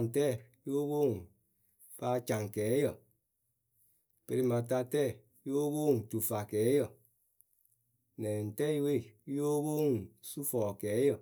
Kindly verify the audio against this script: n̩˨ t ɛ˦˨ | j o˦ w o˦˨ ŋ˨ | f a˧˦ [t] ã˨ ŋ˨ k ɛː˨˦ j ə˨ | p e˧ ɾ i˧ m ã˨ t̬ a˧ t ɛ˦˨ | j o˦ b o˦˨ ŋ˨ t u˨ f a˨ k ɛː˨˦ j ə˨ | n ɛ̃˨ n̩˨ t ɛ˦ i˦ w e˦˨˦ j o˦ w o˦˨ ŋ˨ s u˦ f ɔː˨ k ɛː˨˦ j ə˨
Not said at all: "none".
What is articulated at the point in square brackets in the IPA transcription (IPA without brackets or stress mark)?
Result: t͡ʃ